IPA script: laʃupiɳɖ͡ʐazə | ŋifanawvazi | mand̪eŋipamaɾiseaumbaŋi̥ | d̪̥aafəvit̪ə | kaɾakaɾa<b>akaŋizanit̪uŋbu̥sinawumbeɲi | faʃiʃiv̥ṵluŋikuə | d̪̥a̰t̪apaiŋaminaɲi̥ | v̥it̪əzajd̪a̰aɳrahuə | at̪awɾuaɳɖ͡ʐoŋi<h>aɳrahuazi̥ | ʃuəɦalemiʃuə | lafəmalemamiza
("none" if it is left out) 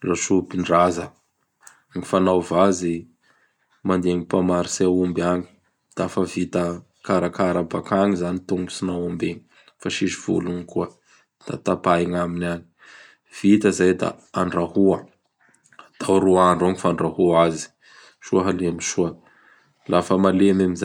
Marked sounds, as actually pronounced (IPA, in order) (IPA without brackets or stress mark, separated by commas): b, f